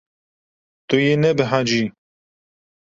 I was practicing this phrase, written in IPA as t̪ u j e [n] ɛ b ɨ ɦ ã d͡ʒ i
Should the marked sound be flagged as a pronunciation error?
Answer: no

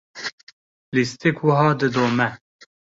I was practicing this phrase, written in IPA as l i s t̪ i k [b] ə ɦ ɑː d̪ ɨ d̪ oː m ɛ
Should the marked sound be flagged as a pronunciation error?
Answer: yes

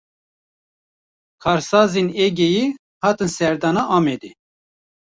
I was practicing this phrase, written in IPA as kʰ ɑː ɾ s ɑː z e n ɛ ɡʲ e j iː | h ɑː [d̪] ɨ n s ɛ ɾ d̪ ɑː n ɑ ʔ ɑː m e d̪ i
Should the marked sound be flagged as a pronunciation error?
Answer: yes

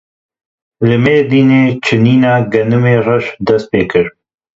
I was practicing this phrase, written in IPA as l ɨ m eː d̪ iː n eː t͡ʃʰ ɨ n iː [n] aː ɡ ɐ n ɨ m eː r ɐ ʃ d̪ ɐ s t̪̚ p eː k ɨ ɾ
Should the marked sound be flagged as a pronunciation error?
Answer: no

